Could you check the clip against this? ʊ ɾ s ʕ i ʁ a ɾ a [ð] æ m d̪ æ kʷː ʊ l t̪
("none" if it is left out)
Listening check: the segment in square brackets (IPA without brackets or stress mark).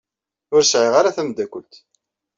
θ